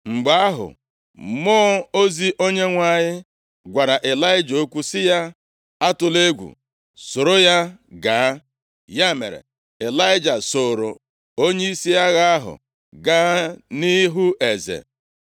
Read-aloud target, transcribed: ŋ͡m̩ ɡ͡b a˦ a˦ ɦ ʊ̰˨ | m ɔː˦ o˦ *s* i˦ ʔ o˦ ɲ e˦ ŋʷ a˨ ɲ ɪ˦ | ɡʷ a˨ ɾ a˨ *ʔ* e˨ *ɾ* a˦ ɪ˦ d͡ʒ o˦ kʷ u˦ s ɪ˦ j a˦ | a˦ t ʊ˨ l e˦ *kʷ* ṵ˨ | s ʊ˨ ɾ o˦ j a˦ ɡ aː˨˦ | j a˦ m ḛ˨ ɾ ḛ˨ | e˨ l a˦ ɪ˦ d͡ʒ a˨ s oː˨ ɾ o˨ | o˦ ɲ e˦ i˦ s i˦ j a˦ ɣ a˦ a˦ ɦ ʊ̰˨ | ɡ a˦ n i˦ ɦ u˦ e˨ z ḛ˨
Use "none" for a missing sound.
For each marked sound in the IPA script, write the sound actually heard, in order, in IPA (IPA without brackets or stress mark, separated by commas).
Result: z, ʔ, l, ɡʷ